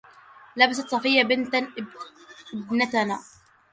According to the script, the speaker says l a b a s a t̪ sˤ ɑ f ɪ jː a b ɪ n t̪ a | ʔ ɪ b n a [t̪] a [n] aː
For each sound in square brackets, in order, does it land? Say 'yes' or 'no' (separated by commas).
yes, yes